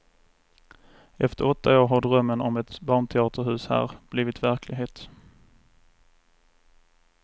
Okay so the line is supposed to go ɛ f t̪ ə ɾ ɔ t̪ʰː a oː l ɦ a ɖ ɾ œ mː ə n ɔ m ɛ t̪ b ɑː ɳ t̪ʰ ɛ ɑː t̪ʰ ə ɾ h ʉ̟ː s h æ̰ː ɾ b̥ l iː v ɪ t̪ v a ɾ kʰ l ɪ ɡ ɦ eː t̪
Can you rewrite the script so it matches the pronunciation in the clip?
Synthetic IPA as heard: ɛ f t̪ ə ɾ ɔ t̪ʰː a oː ɾ ɦ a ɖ ɾ œ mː ə n ɔ m ɛ t̪ b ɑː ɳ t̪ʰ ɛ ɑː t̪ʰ ə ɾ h ʉ̟ː s h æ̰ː ɾ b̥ l iː v ɪ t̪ v æ ɾ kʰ l ɪ ɡ ɦ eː t̪